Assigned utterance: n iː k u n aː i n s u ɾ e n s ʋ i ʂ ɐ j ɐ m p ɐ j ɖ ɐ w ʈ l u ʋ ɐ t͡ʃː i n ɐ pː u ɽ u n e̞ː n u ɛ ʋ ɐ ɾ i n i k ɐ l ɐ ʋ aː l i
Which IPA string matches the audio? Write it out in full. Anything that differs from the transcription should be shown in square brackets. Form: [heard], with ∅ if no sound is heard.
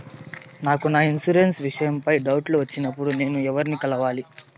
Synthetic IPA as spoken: n [aː] k u n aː i n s u ɾ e n s ʋ i ʂ ɐ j ɐ m p ɐ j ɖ ɐ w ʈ l u ʋ ɐ t͡ʃː i n ɐ pː u ɽ u n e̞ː n u ɛ ʋ ɐ ɾ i n i k ɐ l ɐ ʋ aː l i